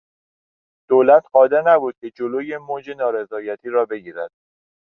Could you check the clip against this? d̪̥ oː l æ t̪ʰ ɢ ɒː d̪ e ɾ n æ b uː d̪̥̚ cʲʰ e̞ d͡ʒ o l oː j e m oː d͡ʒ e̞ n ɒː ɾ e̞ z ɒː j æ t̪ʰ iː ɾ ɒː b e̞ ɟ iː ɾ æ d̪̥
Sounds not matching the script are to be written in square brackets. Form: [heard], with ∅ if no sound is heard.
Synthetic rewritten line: d̪̥ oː l æ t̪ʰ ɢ ɒː d̪ e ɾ n æ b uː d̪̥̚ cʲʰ e̞ d͡ʒ o l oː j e m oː d͡ʒ e̞ n ɒː ɾ e̞ z ɒː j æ t̪ʰ iː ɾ ɒː b e̞ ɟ iː ɾ æ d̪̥

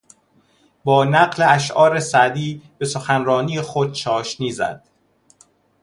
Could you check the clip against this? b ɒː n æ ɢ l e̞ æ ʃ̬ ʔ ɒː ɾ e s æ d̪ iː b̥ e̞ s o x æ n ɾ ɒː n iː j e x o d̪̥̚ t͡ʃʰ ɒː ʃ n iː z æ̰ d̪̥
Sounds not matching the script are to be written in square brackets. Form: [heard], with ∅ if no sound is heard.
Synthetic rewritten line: b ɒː n æ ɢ l e̞ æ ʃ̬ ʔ ɒː ɾ e s æ d̪ iː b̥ e̞ s o x æ n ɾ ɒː n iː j e x o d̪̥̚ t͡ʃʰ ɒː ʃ n iː z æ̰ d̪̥

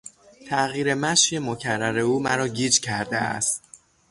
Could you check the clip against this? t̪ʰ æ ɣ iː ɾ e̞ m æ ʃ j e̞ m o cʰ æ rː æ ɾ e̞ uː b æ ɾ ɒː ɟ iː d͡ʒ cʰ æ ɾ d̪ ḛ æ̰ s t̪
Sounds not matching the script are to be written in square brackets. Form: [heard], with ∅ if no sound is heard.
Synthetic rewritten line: t̪ʰ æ ɣ iː ɾ e̞ m æ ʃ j e̞ m o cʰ æ rː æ ɾ e̞ uː [m] æ ɾ ɒː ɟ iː d͡ʒ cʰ æ ɾ d̪ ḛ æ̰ s t̪

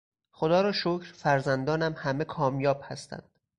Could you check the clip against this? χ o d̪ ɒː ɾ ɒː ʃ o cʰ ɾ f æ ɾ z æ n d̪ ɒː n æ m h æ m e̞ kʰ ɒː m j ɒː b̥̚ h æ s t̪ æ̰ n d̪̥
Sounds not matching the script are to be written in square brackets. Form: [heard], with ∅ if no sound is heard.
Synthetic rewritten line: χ o d̪ ɒː ɾ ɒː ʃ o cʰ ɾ f æ ɾ z æ n d̪ ɒː n æ m h æ m e̞ kʰ ɒː m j ɒː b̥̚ h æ s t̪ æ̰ n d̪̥

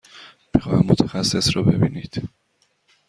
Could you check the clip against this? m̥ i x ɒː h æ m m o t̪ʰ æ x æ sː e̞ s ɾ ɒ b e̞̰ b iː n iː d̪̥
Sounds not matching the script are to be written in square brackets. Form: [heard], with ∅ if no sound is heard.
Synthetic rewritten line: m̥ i x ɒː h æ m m o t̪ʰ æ x æ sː e̞ s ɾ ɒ b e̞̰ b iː n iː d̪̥

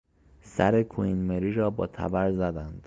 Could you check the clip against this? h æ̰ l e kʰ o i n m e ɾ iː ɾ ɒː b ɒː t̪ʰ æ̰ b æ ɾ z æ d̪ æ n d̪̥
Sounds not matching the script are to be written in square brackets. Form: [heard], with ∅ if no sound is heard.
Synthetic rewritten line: [s] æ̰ [ɾ] e kʰ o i n m e ɾ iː ɾ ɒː b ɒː t̪ʰ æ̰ b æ ɾ z æ d̪ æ n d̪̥

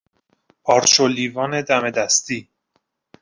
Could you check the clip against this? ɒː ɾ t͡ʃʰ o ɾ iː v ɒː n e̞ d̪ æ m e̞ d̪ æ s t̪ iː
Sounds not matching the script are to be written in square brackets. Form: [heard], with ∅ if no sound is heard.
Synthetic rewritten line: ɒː ɾ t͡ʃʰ o [l] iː v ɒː n e̞ d̪ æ m e̞ d̪ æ s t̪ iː

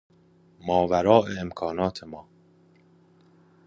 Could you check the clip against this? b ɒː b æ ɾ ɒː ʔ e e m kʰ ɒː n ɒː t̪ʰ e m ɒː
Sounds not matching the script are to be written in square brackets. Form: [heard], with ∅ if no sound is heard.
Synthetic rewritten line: [m] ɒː [v] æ ɾ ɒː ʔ e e m kʰ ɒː n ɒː t̪ʰ e m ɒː

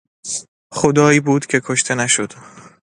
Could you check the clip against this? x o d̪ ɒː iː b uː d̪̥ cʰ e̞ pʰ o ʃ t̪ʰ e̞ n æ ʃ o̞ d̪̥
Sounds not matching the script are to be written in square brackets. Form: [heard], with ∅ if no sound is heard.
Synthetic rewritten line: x o d̪ ɒː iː b uː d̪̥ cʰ e̞ [kʰ] o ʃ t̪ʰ e̞ n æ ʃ o̞ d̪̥

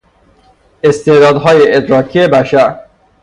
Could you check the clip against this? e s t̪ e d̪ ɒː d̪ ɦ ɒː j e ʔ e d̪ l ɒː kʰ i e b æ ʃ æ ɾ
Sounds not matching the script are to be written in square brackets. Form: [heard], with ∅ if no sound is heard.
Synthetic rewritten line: e s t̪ e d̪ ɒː d̪ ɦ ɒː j e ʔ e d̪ [ɾ] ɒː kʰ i e b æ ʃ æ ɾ

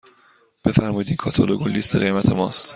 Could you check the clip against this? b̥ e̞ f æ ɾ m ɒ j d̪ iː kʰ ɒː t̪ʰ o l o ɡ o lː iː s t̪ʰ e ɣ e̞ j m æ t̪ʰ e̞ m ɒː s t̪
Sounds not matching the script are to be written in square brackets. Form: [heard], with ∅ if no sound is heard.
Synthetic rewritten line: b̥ e̞ f æ ɾ m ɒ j d̪ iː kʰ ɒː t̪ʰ o l o ɡ o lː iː s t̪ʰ e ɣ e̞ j m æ t̪ʰ e̞ m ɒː s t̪

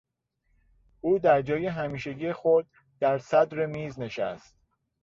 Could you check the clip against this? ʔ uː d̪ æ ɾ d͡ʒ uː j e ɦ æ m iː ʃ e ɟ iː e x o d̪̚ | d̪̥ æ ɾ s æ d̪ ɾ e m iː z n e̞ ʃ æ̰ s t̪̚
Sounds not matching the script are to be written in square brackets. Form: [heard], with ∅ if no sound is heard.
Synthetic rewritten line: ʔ uː d̪ æ ɾ d͡ʒ [ɒː] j e ɦ æ m iː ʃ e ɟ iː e x o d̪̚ | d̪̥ æ ɾ s æ d̪ ɾ e m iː z n e̞ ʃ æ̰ s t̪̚

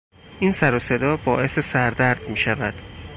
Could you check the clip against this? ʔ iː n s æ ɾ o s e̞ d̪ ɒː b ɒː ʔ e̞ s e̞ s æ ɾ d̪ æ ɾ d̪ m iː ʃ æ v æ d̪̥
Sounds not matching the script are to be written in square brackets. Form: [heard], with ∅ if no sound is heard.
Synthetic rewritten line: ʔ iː n s æ ɾ o s e̞ d̪ ɒː b ɒː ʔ e̞ s e̞ s æ ɾ d̪ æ ɾ d̪ m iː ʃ æ v æ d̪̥

